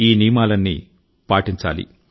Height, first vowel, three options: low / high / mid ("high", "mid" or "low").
high